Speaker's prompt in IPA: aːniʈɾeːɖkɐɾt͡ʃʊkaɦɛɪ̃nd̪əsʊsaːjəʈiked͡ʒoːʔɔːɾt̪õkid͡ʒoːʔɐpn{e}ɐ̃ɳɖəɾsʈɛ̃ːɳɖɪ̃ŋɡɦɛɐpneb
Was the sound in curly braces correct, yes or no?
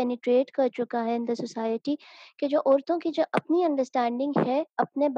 no